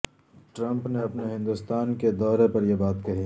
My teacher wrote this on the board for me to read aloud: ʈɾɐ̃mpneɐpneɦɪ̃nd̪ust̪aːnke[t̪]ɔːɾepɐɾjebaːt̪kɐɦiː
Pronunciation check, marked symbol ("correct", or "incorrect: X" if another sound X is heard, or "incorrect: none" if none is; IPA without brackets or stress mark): incorrect: d̪